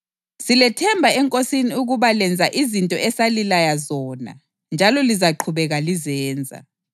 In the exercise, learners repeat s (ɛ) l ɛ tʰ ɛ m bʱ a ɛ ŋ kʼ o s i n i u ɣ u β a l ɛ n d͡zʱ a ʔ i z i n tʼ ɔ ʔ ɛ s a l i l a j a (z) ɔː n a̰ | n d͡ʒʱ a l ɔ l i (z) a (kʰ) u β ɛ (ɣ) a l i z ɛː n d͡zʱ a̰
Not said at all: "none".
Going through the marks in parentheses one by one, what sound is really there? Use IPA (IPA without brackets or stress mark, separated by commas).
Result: i, z, z, ǃʰ, ɣ